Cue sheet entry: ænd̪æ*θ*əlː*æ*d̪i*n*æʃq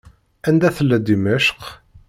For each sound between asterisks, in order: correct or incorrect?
correct, correct, incorrect: m

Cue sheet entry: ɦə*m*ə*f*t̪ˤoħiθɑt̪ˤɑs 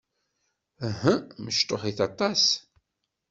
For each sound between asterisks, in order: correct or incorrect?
correct, incorrect: ʃ

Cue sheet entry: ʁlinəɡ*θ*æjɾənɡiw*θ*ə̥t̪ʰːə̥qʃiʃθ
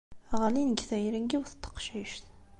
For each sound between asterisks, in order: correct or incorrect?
correct, correct

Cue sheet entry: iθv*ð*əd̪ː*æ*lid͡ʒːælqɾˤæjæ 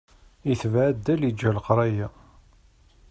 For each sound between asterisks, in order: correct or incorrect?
incorrect: ʕ, correct

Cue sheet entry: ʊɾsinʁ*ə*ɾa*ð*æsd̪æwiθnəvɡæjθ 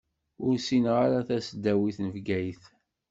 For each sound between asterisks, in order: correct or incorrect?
incorrect: a, incorrect: θ

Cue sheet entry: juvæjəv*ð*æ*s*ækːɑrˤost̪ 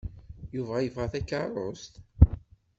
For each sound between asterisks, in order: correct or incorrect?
incorrect: ʁ, incorrect: θ

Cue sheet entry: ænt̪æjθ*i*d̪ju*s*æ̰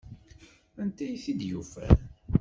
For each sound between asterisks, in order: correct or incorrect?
correct, incorrect: f

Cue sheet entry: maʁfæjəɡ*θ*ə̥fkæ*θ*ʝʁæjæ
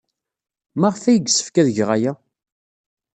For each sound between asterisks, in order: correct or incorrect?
incorrect: s, incorrect: ð

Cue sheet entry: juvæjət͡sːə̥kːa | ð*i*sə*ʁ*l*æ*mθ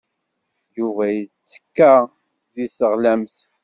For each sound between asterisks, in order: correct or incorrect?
correct, correct, correct

